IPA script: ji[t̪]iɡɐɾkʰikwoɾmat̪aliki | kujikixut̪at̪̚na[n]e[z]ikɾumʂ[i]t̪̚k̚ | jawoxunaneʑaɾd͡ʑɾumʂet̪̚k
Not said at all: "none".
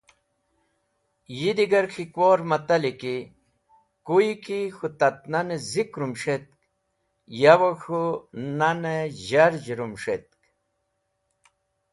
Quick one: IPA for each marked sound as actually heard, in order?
d̪, n, z, e

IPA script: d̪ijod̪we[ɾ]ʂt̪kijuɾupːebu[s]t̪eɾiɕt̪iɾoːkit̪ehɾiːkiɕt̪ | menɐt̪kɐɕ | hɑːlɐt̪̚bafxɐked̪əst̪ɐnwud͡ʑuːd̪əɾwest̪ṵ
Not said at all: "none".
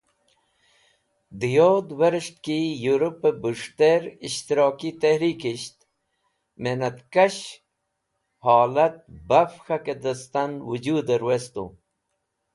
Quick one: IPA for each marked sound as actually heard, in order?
ɾ, ʂ

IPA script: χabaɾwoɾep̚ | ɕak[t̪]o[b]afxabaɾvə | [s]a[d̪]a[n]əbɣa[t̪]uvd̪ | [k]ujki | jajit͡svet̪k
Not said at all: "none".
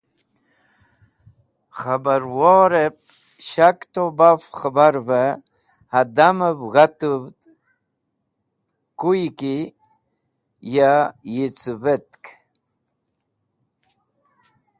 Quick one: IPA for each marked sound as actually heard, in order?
t̪, b, h, d̪, m, t̪, k

